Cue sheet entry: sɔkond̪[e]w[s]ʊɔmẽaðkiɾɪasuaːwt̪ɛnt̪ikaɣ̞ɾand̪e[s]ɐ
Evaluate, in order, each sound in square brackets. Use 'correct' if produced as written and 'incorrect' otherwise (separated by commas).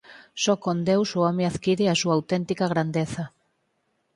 correct, correct, incorrect